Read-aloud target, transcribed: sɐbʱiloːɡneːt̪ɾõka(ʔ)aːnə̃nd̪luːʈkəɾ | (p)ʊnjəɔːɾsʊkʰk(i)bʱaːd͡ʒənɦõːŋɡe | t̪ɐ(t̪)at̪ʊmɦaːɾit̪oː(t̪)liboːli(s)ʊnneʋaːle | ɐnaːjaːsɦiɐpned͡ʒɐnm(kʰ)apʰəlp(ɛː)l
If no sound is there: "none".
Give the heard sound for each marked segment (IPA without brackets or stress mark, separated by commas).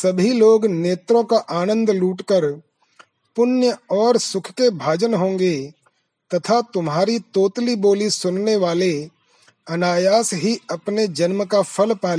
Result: ʔ, p, e, t̪ʰ, t̪, s, k, aː